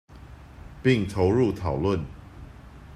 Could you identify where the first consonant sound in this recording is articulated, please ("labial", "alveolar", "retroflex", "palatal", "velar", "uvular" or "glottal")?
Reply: labial